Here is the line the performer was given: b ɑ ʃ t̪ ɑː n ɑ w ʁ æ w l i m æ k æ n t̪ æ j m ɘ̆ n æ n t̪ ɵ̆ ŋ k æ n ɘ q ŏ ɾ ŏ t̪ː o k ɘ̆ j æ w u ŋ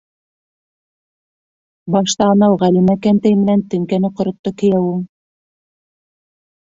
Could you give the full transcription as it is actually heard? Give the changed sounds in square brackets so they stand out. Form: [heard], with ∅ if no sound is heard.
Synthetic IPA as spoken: b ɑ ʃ t̪ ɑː n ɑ w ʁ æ [∅] l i m æ k æ n t̪ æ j m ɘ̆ n æ n t̪ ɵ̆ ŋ k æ n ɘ q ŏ ɾ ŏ t̪ː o k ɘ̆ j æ w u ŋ